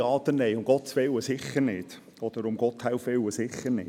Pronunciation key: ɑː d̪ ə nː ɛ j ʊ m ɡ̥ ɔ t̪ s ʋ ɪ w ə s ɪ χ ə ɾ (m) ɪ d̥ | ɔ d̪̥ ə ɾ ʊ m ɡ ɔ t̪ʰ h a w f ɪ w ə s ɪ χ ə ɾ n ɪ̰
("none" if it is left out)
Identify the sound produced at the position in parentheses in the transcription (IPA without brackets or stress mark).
n